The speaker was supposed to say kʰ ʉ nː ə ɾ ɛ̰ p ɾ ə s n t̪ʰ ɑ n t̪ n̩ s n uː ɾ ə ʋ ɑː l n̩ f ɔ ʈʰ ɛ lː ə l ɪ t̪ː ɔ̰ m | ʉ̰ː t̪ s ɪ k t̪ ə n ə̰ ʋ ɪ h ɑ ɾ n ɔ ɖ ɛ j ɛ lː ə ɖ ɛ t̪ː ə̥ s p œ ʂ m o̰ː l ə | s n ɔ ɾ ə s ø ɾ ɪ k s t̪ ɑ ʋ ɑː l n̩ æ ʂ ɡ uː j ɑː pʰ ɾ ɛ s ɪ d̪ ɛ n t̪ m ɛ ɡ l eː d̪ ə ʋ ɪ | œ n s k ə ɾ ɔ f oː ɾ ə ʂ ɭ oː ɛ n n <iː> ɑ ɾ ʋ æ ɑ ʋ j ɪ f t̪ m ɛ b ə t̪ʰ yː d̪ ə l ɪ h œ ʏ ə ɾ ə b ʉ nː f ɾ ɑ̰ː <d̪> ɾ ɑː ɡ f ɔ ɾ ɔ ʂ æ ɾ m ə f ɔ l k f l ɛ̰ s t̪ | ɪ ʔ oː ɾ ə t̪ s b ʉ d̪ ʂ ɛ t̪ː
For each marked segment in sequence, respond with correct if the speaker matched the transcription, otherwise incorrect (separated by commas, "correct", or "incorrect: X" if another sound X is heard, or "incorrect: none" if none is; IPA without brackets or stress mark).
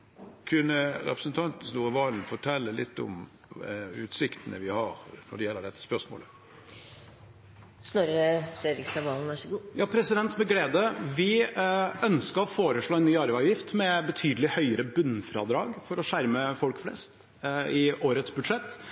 incorrect: yː, correct